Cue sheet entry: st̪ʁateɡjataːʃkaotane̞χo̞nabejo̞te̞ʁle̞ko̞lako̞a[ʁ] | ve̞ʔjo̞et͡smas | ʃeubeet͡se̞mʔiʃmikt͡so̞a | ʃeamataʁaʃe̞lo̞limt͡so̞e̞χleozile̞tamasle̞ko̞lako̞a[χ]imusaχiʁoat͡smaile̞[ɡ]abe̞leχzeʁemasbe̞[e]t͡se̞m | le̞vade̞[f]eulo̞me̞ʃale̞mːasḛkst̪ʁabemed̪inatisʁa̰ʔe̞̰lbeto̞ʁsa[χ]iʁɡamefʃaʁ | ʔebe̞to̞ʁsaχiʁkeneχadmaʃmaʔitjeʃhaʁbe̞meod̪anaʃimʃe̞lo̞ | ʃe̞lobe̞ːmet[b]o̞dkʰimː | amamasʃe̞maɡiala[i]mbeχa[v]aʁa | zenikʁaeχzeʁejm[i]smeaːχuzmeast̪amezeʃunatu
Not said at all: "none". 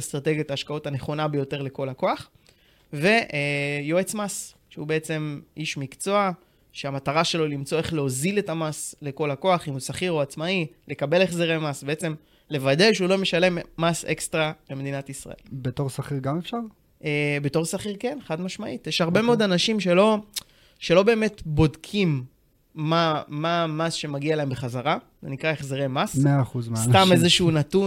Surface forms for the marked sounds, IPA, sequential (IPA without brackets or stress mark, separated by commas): χ, χ, k, e, ʃ, χ, b, e, z, a